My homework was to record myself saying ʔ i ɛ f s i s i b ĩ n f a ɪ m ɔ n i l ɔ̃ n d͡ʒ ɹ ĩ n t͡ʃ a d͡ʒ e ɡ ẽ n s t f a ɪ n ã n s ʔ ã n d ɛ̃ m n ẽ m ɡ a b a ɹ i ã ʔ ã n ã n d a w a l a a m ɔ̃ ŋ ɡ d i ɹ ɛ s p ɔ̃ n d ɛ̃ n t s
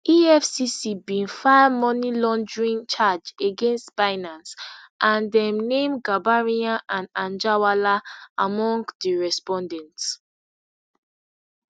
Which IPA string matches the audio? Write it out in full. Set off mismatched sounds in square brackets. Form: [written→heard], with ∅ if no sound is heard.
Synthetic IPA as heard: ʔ i ɛ f s i s i b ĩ n f a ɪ m ɔ n i l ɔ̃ n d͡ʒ ɹ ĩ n t͡ʃ a d͡ʒ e ɡ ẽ n s t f a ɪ n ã n s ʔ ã n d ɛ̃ m n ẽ m ɡ a b a ɹ i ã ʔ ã n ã n [d→d͡ʒ] a w a l a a m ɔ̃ ŋ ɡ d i ɹ ɛ s p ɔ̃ n d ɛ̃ n t s